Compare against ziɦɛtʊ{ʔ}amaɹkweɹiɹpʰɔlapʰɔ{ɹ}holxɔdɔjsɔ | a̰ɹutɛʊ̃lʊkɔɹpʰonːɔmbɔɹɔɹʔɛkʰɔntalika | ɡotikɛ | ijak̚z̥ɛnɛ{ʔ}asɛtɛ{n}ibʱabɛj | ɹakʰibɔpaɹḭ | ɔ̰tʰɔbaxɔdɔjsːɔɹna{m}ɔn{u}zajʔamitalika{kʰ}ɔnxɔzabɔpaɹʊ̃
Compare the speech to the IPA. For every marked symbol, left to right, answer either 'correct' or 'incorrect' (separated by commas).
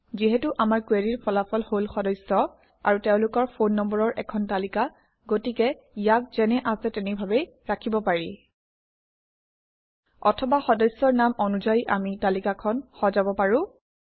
correct, incorrect, correct, correct, correct, correct, correct